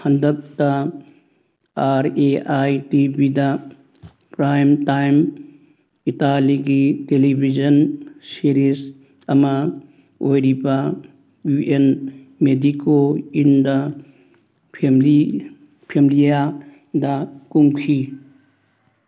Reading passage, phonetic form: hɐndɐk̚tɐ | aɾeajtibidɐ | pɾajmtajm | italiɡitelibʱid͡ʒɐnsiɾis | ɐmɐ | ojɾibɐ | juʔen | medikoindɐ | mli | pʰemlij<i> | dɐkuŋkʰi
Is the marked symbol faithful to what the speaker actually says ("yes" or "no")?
no